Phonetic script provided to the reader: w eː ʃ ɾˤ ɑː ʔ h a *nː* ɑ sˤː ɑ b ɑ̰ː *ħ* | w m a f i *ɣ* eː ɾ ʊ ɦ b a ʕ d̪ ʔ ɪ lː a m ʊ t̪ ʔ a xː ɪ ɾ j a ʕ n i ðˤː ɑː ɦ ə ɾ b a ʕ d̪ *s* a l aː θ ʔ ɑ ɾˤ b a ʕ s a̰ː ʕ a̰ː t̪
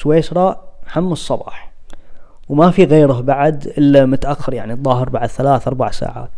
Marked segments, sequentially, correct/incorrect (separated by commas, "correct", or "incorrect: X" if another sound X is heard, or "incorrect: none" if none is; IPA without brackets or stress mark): incorrect: mː, correct, correct, incorrect: θ